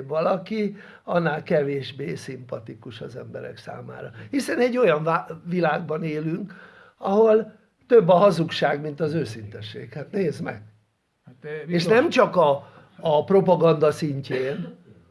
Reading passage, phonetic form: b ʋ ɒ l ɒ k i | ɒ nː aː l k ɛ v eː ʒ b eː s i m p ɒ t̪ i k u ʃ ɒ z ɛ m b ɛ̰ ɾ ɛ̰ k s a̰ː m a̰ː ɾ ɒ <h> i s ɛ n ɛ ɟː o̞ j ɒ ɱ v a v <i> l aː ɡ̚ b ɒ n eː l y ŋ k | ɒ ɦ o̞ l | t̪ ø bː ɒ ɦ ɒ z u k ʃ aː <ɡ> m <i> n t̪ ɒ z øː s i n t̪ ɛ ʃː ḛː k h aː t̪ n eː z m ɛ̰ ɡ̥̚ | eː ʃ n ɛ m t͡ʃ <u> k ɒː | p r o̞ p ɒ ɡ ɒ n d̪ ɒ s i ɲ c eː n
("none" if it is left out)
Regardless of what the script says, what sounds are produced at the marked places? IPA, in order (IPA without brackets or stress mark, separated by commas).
h, i, ɡ, i, ɒ